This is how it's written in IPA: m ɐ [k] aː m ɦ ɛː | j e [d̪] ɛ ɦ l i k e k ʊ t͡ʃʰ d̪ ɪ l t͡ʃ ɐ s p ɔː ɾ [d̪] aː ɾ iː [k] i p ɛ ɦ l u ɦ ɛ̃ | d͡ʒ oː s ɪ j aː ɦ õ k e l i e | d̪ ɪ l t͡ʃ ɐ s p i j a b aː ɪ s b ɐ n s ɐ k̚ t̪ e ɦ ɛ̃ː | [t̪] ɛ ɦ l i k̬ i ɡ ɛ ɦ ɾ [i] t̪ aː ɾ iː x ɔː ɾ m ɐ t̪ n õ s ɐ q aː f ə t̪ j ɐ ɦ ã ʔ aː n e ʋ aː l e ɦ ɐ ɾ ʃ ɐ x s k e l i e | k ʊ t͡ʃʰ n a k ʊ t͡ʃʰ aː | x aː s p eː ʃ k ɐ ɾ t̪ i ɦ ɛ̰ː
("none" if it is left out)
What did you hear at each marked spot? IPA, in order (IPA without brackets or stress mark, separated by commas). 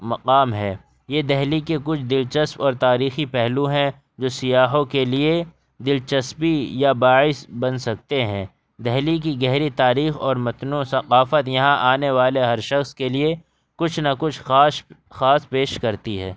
q, d̪, t̪, x, d̪, i